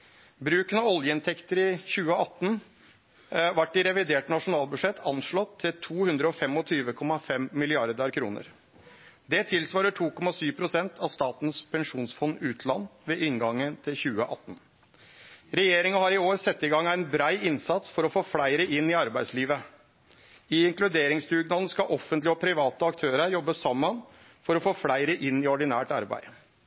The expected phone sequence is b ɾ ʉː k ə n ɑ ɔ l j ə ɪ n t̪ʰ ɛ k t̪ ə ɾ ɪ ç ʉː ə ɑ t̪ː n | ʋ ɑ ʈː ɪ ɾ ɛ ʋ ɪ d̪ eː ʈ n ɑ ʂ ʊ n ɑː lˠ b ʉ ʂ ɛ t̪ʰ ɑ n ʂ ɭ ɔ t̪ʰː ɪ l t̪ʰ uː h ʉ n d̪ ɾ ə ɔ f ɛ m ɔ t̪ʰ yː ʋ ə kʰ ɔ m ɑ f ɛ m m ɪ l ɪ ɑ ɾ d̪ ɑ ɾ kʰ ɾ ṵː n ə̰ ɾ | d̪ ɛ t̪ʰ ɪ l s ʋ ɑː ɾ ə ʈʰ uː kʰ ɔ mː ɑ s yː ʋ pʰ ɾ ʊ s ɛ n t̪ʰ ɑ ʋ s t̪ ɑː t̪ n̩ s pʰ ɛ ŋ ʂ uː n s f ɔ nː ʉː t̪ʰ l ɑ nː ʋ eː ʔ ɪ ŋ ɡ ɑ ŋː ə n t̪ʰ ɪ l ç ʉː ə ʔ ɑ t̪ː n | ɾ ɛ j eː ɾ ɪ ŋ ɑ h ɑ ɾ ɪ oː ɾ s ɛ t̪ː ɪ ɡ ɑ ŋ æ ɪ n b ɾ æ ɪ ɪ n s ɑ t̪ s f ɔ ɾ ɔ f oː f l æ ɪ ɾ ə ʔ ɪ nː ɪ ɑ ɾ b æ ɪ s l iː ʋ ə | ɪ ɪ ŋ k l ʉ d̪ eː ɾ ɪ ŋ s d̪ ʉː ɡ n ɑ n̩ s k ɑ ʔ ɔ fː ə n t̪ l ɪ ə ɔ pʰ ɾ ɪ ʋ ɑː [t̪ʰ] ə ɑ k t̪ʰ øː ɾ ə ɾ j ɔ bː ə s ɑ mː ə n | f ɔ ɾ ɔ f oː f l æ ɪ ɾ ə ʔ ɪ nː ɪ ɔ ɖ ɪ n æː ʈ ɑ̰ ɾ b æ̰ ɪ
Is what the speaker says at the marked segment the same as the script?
no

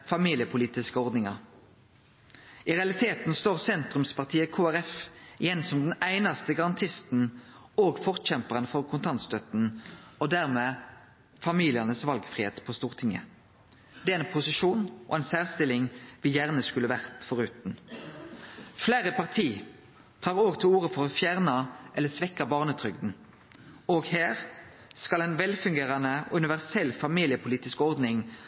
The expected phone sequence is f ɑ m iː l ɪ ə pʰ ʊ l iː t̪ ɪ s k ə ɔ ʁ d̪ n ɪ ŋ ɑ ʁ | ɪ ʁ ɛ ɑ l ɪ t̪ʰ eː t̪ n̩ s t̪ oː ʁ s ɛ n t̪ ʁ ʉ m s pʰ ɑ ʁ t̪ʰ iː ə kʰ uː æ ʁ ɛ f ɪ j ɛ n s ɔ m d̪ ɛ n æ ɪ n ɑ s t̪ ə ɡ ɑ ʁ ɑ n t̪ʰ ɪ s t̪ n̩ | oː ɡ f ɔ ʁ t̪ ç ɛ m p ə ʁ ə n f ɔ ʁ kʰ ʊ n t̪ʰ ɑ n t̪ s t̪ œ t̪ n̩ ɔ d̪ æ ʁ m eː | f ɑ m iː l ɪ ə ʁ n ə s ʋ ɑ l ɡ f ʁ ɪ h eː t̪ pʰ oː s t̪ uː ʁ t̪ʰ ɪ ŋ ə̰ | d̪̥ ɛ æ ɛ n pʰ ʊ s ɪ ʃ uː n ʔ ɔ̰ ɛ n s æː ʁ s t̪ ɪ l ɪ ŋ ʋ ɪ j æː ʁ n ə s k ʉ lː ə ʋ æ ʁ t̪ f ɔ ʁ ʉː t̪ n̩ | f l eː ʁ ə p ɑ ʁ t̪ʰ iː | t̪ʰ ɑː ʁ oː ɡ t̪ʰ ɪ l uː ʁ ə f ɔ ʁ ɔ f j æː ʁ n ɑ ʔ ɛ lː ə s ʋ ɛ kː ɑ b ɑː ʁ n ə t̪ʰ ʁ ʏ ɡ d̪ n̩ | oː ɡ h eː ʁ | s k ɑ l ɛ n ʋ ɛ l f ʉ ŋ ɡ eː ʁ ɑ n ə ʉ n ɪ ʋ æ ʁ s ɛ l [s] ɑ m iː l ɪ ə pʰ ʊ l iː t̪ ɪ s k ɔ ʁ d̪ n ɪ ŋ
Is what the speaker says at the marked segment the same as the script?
no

